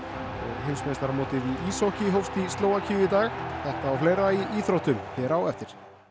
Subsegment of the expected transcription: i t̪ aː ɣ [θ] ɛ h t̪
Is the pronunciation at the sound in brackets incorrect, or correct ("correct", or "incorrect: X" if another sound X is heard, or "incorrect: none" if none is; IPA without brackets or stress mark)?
correct